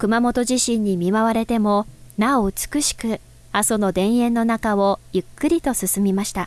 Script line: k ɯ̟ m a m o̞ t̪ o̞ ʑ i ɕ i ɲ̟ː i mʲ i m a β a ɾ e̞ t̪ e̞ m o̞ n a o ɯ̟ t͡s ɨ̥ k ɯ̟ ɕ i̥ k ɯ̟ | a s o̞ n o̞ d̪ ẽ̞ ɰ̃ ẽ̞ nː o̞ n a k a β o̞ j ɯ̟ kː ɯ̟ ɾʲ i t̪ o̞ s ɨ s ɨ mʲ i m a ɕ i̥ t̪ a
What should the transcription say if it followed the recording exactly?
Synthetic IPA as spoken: k ɯ̟ m a m o̞ t̪ o̞ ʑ i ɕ ĩ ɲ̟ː i mʲ i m a β a ɾ e̞ t̪ e̞ m o̞ n a o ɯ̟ t͡s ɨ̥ k ɯ̟ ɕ i̥ k ɯ̟ | a s o̞ n o̞ d̪ ẽ̞ ɰ̃ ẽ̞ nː o̞ n a k a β o̞ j ɯ̟ kː ɯ̟ ɾʲ i t̪ o̞ s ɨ s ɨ mʲ i m a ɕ i̥ t̪ a